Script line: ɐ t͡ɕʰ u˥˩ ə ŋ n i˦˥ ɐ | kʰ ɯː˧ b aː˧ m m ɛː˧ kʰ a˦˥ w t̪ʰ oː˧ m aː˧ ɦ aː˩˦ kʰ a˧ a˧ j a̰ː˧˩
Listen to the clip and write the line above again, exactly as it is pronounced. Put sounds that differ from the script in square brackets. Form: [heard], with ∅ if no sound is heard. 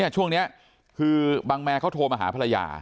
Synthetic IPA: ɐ t͡ɕʰ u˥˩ ə ŋ n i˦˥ ɐ | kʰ ɯː˧ b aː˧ [ŋ] m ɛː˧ kʰ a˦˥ w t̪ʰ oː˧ m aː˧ ɦ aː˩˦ [pʰ] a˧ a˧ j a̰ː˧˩